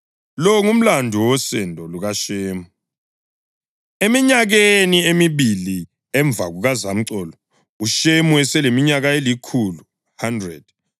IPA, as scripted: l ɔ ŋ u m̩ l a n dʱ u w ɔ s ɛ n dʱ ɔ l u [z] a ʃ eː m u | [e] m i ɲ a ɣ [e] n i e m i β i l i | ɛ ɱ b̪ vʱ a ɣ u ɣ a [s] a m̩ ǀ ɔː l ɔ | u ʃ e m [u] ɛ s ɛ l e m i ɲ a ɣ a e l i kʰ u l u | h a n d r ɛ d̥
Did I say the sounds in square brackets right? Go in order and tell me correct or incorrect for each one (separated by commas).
incorrect, correct, correct, incorrect, correct